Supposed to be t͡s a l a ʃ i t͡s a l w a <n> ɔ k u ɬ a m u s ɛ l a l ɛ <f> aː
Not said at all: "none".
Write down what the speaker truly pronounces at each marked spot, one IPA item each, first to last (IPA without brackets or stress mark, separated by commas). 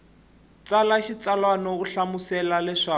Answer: n, ʂ